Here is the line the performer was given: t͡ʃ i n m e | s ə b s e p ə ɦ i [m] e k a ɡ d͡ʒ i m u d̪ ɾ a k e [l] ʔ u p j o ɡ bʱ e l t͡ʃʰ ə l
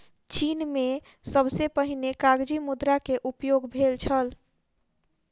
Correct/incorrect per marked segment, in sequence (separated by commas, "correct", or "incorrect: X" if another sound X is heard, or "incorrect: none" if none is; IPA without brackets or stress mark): incorrect: n, incorrect: none